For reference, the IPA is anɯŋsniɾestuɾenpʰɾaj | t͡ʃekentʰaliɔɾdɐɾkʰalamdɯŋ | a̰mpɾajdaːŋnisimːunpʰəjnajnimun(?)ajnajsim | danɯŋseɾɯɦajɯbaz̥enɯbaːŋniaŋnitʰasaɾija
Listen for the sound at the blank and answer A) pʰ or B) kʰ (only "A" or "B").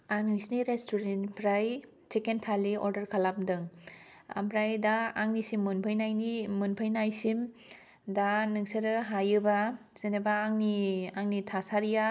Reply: A